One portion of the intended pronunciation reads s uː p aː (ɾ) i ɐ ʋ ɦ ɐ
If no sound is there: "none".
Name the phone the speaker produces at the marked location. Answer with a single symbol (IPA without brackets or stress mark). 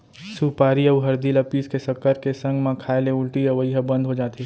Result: ɾ